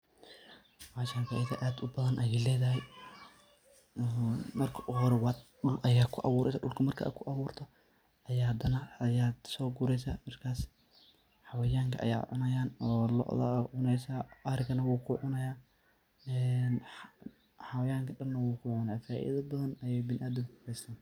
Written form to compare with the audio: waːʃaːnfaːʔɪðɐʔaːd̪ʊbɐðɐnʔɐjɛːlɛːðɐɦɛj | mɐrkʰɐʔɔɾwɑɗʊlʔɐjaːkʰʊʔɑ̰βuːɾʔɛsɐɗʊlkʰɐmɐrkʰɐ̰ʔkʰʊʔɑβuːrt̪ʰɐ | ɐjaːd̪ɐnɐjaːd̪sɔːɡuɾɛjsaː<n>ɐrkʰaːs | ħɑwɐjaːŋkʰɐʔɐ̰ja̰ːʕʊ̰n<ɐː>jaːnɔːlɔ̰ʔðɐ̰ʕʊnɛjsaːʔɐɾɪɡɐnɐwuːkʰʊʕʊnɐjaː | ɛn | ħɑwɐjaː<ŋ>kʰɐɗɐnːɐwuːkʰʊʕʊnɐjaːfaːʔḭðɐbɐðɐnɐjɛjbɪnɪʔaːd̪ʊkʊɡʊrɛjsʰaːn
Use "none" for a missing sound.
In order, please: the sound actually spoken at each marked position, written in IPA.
m, ɐ, ŋ

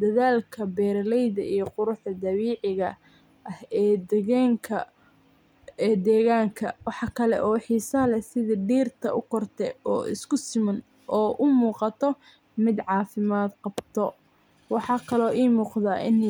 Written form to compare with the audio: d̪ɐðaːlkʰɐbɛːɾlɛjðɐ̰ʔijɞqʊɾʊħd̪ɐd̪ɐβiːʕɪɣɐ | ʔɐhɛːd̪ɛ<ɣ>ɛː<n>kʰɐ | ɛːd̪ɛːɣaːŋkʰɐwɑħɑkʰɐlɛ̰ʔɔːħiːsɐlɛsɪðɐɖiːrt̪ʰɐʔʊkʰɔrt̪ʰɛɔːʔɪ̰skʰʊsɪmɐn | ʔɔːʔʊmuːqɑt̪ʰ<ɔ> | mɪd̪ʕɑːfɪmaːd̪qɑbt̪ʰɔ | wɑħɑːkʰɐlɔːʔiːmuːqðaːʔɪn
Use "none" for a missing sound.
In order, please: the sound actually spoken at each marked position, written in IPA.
ɣ, ŋ, ɔ

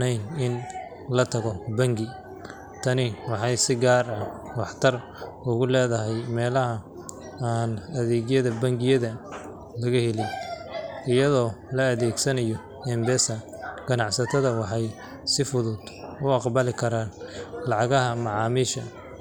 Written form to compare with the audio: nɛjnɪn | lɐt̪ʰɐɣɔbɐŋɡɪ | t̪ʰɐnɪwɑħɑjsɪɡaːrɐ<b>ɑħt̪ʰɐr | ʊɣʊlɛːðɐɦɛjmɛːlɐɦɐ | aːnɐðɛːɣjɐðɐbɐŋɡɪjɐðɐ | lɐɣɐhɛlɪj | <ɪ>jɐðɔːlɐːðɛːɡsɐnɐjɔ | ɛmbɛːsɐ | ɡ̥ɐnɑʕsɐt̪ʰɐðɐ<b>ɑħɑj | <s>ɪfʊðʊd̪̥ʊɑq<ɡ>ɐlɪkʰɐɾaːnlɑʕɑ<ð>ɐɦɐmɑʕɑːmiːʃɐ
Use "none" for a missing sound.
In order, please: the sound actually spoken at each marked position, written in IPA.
w, ɪ, w, s, b, ɣ

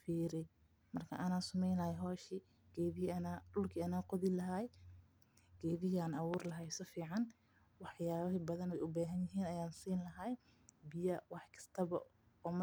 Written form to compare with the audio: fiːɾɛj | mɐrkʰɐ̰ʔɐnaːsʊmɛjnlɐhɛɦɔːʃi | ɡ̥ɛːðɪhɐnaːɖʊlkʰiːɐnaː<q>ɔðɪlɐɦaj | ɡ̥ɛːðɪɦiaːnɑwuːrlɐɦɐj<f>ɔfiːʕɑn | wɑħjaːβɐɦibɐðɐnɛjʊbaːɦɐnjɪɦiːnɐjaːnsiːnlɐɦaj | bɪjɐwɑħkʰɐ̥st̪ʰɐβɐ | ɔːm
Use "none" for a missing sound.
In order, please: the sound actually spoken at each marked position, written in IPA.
q, s

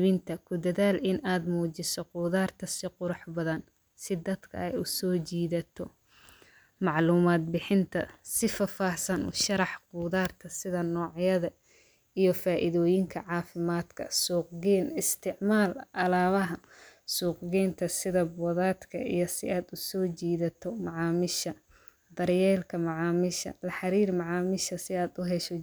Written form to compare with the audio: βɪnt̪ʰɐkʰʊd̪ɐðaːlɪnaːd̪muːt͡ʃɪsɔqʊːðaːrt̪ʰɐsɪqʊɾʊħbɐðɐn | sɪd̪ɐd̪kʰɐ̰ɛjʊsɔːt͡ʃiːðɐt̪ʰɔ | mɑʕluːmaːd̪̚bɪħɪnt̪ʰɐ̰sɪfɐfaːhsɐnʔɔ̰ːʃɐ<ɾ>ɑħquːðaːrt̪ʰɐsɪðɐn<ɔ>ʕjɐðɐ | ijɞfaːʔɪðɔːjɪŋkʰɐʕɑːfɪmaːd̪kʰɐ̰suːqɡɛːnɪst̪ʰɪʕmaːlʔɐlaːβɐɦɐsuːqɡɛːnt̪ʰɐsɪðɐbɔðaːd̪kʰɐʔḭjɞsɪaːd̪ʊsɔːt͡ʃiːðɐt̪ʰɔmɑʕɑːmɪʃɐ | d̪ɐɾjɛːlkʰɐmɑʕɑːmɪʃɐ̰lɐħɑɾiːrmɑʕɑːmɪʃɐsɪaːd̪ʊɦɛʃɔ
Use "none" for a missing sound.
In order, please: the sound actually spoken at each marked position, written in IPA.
ɾ, ɔː

